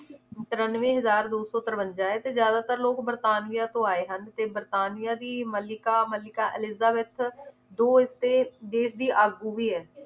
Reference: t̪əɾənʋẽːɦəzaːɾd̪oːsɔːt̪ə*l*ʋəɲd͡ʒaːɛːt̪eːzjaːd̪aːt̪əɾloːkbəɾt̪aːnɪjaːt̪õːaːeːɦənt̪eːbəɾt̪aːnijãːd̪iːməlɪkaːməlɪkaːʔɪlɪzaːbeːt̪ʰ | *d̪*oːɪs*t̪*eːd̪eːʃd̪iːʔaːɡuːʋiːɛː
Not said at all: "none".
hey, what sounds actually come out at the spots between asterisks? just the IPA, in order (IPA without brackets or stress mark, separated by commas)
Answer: ɾ, d̪, t̪